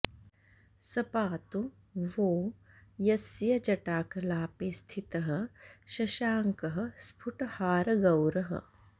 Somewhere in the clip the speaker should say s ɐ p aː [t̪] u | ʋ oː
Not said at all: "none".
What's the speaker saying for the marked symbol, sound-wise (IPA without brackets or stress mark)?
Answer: t̪